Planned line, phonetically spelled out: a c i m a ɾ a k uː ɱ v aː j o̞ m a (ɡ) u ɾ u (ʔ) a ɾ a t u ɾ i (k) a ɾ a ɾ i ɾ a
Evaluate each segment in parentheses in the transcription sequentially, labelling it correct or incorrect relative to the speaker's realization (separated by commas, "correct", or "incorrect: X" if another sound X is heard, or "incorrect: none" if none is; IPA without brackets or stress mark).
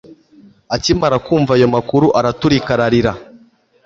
incorrect: k, correct, correct